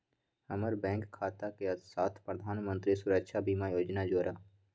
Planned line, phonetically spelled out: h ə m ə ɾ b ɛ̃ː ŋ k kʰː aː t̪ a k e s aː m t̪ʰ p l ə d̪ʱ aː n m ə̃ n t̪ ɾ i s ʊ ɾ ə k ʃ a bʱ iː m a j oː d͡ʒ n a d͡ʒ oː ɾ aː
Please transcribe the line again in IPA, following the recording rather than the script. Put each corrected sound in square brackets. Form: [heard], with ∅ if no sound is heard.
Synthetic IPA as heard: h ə m ə ɾ b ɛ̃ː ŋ k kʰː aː t̪ a k e s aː [∅] t̪ʰ p [ɾ] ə d̪ʱ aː n m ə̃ n t̪ ɾ i s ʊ ɾ ə k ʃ a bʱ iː m a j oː d͡ʒ n a d͡ʒ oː ɾ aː